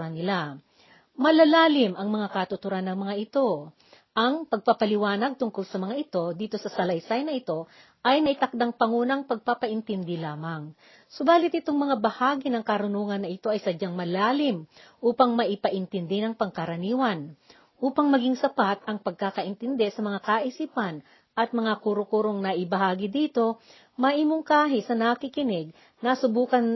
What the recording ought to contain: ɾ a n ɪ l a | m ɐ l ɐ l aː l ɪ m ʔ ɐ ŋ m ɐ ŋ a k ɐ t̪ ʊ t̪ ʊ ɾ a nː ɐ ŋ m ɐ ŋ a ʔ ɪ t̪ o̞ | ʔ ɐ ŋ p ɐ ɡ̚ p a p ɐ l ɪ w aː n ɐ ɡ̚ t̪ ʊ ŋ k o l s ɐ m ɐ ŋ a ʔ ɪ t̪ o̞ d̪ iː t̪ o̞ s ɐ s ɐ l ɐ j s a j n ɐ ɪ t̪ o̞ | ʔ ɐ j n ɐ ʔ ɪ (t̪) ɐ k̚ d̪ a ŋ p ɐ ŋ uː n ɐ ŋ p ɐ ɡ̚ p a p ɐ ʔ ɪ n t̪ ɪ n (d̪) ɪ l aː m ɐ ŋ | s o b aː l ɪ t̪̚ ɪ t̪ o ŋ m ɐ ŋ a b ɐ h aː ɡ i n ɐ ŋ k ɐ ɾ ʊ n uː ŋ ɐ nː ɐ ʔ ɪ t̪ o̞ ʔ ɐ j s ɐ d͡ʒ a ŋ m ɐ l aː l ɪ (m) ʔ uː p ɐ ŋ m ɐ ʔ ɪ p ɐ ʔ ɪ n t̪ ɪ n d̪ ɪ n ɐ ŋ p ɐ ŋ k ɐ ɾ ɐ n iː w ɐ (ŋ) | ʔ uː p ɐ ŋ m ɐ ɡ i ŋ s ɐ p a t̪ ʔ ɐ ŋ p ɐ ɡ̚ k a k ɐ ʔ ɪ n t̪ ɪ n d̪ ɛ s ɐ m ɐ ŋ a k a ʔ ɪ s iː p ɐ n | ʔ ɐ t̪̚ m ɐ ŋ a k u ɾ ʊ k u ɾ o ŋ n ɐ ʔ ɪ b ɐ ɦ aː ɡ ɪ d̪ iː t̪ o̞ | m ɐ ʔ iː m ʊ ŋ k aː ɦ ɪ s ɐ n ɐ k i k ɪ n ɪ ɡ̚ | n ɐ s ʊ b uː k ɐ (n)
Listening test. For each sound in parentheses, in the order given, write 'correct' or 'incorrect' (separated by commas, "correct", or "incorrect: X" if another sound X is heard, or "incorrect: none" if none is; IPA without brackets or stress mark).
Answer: correct, correct, correct, incorrect: n, correct